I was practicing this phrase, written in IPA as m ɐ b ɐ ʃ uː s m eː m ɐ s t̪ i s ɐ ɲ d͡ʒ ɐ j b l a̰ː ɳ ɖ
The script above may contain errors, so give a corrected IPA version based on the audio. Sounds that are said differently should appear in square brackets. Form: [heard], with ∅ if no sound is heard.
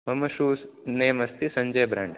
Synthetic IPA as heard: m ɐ [m] ɐ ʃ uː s [n] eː m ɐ s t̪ i s ɐ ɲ d͡ʒ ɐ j b [ɾ] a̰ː ɳ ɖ